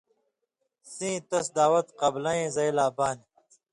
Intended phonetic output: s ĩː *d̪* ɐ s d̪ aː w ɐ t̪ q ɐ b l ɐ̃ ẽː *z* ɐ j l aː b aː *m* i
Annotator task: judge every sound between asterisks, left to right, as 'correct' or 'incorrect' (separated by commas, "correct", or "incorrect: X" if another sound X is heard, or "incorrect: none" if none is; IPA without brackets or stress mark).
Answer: incorrect: t̪, correct, incorrect: n